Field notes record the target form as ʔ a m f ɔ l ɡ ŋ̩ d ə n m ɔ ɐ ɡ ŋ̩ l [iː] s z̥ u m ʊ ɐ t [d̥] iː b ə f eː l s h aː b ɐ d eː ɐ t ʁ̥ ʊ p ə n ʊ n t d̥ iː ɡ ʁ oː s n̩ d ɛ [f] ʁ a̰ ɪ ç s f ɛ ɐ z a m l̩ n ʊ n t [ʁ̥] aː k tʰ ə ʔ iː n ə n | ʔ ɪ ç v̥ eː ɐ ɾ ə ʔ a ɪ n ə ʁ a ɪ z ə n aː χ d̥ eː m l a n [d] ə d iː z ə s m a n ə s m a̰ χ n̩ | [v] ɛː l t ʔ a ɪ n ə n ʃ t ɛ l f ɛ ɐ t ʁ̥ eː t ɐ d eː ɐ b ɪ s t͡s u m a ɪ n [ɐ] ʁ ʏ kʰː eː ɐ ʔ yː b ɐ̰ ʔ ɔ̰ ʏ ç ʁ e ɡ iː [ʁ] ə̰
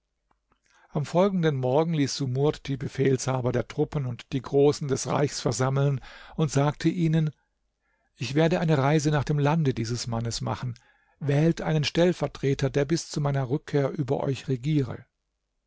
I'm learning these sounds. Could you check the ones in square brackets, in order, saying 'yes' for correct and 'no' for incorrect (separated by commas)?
yes, yes, no, no, yes, yes, yes, yes